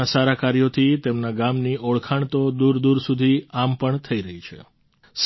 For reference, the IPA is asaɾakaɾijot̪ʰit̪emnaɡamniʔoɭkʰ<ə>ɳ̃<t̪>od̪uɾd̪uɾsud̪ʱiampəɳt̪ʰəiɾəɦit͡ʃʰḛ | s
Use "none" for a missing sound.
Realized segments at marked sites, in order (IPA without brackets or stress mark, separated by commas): a, t̪